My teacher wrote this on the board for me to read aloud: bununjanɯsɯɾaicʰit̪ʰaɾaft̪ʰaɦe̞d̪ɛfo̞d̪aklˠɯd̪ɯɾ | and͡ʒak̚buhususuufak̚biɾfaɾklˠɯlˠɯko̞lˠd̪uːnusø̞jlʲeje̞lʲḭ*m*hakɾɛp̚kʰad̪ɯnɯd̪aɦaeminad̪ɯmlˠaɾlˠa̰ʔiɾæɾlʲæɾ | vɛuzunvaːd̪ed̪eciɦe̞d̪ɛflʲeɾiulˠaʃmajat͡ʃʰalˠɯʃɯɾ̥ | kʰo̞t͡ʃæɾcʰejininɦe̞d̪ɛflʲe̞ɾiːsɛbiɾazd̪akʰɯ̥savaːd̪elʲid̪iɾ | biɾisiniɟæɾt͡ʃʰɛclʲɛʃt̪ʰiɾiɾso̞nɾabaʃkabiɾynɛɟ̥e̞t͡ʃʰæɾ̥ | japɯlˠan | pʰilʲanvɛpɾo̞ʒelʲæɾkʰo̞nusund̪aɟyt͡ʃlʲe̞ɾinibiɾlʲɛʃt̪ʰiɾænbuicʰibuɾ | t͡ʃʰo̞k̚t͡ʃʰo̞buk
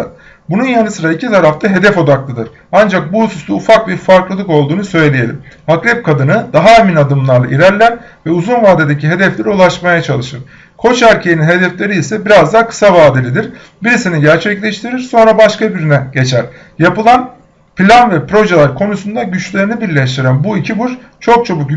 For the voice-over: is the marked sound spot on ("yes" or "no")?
yes